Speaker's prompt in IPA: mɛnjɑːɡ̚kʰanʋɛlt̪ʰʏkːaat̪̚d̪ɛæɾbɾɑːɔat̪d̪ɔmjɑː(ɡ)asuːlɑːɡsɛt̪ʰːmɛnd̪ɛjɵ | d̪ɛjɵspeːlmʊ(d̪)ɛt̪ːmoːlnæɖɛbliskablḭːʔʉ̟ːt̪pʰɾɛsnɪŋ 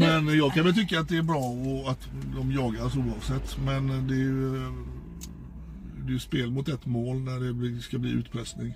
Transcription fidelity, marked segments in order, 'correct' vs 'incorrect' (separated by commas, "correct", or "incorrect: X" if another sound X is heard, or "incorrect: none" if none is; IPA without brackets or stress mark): correct, incorrect: t̪